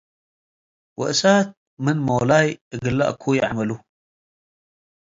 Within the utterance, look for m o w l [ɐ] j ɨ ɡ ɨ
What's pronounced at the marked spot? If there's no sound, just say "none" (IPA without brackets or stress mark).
a